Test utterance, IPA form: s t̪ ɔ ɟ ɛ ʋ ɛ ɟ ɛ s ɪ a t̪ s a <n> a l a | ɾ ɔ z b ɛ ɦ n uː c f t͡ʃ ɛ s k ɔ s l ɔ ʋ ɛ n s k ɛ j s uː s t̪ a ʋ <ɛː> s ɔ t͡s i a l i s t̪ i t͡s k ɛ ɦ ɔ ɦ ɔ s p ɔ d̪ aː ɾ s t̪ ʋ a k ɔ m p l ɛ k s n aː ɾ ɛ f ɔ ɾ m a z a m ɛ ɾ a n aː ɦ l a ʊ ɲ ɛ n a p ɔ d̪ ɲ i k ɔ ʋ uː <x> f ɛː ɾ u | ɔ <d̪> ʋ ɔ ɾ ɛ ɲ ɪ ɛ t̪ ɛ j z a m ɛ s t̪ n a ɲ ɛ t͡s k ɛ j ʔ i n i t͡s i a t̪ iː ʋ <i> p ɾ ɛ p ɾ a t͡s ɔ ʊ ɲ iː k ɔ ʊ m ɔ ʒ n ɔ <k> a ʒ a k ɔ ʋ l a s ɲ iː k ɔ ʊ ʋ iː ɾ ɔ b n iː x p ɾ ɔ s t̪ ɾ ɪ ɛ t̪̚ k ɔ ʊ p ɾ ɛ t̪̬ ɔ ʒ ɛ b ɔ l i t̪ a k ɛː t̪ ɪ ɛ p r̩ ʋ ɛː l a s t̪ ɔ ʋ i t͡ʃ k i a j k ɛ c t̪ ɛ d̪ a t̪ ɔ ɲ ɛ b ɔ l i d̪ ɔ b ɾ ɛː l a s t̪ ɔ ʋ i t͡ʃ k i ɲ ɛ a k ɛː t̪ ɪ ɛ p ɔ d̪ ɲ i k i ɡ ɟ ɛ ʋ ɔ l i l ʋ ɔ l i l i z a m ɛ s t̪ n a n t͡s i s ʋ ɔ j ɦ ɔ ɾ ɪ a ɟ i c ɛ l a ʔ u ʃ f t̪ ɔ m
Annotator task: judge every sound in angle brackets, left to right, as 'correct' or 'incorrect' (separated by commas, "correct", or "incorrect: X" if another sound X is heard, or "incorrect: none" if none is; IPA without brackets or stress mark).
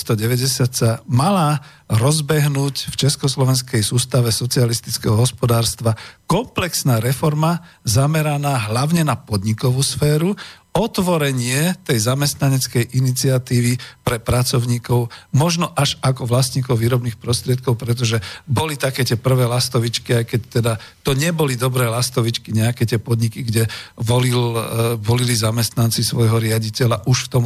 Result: incorrect: m, incorrect: ɛ, incorrect: s, incorrect: t̪, correct, incorrect: ʔ